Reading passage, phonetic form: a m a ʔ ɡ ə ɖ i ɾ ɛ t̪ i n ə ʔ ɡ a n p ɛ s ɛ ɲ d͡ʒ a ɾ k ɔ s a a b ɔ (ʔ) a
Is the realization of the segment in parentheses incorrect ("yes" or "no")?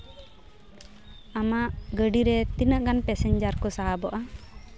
no